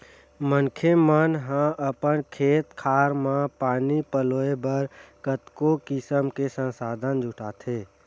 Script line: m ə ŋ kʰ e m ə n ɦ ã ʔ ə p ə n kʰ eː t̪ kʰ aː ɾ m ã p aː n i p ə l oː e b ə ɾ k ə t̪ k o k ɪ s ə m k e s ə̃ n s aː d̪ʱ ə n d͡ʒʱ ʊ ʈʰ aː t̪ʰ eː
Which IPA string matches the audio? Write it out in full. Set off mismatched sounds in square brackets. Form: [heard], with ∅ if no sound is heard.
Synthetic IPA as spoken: m ə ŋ kʰ e m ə n ɦ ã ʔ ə p ə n kʰ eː t̪ kʰ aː ɾ m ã p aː n i p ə l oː e b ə ɾ k ə t̪ k o k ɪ s ə m k e s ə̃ n s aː d̪ʱ ə n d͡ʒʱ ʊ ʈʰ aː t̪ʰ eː